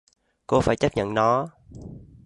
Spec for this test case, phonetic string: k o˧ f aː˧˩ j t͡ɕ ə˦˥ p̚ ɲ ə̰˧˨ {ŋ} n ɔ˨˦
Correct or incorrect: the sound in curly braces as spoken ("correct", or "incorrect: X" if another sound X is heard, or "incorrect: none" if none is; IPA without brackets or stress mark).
incorrect: n